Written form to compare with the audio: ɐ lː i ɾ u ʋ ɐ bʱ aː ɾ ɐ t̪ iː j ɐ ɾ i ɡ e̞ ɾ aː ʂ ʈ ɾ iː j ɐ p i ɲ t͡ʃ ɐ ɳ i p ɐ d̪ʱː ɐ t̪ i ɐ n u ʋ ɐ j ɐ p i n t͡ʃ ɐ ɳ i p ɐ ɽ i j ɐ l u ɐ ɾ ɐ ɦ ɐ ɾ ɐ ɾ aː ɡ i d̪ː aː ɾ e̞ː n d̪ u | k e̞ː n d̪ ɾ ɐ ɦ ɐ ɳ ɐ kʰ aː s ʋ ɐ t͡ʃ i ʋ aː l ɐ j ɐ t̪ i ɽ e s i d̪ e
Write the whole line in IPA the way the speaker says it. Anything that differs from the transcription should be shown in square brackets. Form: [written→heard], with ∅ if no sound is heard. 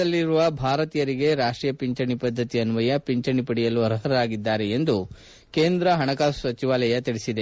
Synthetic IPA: ɐ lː i ɾ u ʋ ɐ bʱ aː ɾ ɐ t̪ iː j ɐ ɾ i ɡ e̞ ɾ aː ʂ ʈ ɾ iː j ɐ p i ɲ t͡ʃ ɐ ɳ i p ɐ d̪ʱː ɐ t̪ i ɐ n u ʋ ɐ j ɐ p i [n→ɲ] t͡ʃ ɐ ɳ i p ɐ ɽ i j ɐ l u ɐ ɾ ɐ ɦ ɐ ɾ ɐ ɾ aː ɡ i d̪ː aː ɾ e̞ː n d̪ u | k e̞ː n d̪ ɾ ɐ ɦ ɐ ɳ ɐ [kʰ→k] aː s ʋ ɐ t͡ʃ i ʋ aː l ɐ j ɐ t̪ i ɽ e s i d̪ e